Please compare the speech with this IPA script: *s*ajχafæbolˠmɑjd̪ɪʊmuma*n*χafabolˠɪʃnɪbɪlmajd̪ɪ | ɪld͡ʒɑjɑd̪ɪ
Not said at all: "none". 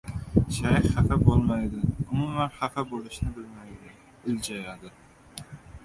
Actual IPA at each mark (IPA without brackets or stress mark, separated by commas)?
ʃ, n